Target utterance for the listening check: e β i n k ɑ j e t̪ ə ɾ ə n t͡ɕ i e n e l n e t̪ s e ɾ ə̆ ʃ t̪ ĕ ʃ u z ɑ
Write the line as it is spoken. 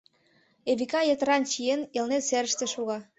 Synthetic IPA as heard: e β i k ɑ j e t̪ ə ɾ ɑ n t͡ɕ i e n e l n e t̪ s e ɾ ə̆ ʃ t̪ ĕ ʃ u ɣ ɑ